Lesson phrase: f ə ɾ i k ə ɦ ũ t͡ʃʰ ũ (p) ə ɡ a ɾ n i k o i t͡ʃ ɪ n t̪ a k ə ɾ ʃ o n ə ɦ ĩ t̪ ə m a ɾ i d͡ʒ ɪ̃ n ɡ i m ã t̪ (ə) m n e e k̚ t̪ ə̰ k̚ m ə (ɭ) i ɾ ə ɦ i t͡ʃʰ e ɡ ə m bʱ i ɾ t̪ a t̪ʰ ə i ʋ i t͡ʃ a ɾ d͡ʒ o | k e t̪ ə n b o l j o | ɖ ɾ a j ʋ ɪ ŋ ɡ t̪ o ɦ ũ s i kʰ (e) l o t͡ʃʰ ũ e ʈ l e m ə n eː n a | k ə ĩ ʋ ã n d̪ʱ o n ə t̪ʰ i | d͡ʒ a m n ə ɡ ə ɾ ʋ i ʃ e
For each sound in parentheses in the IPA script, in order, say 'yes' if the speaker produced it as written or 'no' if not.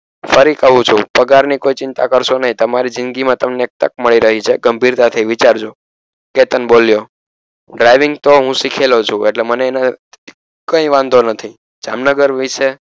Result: yes, yes, yes, yes

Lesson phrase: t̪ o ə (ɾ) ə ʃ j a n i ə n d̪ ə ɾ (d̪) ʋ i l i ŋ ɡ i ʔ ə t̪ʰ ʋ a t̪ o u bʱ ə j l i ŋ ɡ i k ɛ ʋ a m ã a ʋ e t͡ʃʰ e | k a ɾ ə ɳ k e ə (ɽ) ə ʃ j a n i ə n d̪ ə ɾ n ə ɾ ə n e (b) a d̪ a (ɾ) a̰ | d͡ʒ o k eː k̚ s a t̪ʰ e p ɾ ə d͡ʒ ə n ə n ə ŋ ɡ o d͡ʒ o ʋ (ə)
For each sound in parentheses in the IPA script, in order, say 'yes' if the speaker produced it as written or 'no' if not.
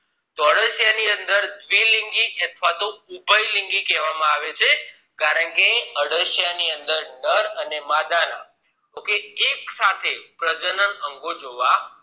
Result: no, yes, yes, no, yes, no

